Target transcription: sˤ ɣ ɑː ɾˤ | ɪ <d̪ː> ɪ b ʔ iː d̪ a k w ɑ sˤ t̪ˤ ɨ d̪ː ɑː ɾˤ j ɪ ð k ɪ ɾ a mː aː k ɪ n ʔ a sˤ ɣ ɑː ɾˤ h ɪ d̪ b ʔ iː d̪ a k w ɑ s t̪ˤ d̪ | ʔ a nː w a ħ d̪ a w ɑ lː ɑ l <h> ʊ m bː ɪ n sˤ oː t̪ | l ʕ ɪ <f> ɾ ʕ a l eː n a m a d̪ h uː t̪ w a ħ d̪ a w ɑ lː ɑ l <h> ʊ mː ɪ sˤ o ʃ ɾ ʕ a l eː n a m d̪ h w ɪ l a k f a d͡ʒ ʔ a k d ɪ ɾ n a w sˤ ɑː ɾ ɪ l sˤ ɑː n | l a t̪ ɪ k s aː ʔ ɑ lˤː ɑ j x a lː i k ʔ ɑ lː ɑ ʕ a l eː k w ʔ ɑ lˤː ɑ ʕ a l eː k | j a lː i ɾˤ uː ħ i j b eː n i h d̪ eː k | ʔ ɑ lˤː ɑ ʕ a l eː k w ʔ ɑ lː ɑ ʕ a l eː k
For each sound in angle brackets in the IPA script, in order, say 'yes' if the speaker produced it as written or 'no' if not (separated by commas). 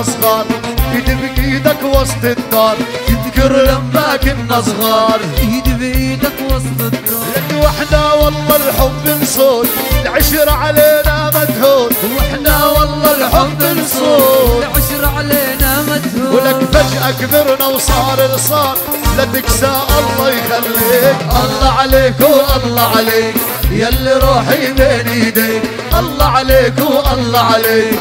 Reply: no, no, no, no